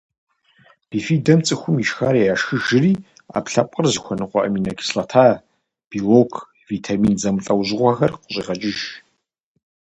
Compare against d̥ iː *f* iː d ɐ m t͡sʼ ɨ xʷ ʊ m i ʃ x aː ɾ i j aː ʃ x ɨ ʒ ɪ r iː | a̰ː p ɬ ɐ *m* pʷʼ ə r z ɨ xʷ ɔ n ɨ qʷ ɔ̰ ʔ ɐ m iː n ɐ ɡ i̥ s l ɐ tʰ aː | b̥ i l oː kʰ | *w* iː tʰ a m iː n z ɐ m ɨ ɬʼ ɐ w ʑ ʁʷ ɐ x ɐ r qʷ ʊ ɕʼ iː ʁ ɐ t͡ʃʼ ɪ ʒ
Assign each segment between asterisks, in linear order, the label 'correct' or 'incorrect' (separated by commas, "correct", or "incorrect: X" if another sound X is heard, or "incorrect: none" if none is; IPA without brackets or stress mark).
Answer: correct, incorrect: none, incorrect: v